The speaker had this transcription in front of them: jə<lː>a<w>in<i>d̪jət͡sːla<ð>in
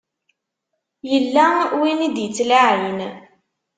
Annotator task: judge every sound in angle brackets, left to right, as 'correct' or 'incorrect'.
correct, correct, correct, incorrect: ʕ

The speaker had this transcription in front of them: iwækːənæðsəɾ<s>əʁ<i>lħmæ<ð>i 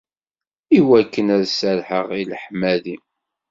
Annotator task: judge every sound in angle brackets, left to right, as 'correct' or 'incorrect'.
incorrect: ħ, correct, correct

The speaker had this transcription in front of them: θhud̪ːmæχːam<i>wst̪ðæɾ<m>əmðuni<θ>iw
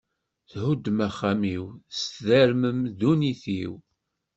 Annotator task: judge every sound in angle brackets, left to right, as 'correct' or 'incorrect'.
correct, correct, correct

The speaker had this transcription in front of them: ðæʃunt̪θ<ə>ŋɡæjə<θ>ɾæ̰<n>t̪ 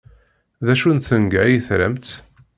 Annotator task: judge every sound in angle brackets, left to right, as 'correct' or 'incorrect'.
correct, correct, incorrect: m

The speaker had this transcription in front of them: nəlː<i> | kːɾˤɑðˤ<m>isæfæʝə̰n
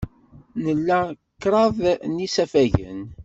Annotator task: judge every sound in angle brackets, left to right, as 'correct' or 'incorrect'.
incorrect: æ, incorrect: n

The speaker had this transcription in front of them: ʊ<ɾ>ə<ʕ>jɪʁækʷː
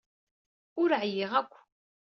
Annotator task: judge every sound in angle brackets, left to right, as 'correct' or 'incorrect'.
correct, correct

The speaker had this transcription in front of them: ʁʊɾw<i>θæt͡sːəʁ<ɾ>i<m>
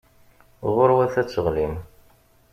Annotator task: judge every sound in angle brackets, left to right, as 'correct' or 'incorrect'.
incorrect: æ, incorrect: l, correct

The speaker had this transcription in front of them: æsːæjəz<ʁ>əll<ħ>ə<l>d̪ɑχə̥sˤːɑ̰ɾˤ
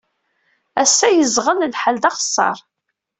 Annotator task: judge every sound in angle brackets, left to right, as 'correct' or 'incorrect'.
correct, correct, correct

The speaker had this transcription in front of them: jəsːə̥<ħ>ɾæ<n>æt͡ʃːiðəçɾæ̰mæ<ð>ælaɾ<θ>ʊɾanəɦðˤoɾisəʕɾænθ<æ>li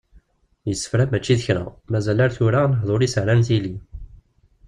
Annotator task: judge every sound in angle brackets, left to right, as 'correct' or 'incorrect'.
incorrect: f, incorrect: m, incorrect: z, correct, incorrect: i

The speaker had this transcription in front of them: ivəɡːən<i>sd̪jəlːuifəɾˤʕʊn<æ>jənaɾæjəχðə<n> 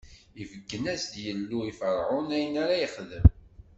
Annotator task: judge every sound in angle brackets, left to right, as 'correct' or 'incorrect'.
incorrect: æ, correct, incorrect: m

